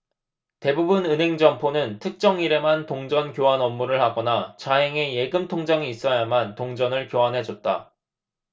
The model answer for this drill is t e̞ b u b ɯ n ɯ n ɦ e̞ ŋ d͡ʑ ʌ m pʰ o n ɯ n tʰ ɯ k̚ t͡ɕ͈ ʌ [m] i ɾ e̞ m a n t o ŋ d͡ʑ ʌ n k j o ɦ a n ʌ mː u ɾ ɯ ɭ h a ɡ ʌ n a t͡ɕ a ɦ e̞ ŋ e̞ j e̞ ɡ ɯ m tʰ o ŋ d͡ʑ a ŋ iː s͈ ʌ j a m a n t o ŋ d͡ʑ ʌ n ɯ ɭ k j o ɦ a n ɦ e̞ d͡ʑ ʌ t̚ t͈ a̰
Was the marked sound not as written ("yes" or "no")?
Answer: yes